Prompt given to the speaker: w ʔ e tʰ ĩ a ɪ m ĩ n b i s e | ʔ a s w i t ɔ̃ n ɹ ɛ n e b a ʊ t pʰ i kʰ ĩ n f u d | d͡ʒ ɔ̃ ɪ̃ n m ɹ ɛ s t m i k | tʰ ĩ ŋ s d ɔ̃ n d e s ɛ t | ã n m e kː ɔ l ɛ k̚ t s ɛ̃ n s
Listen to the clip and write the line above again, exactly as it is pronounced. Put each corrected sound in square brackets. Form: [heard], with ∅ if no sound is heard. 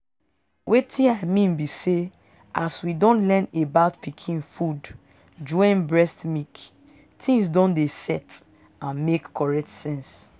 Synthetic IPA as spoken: w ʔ e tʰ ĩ a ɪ m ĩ n b i s e | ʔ a s w i [d] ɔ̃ n [l] ɛ n e b a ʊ t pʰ i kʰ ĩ n f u d | d͡ʒ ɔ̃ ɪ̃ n [b] ɹ ɛ s t m i k | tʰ ĩ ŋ s d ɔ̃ n d e s ɛ t | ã n m e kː ɔ [ɹ] ɛ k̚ t s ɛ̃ n s